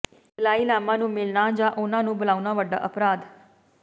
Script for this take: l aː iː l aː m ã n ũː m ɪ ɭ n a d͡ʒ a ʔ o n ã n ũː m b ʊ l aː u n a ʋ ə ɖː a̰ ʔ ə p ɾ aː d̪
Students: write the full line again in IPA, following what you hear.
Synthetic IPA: l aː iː l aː m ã n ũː m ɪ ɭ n a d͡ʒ a ʔ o n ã n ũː b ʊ l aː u n a ʋ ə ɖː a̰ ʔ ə p ɾ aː d̪